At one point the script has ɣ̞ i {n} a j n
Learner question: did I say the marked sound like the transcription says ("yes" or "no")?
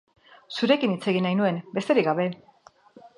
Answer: yes